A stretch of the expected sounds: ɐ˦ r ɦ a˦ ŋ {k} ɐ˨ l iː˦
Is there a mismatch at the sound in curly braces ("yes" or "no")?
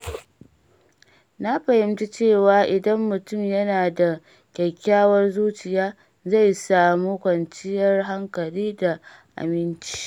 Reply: no